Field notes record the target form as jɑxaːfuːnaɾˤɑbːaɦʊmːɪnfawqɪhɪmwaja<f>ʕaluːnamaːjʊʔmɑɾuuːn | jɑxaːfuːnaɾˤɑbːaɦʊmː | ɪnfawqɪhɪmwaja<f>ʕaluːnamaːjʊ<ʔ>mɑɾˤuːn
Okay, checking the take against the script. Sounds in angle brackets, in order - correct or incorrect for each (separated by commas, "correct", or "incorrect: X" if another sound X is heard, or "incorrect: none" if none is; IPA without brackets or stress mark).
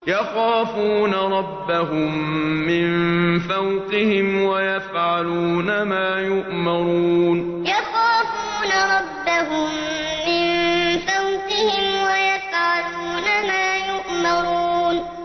correct, correct, correct